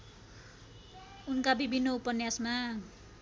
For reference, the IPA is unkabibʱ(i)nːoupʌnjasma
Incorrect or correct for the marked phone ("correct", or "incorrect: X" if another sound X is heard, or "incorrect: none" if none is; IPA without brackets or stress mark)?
correct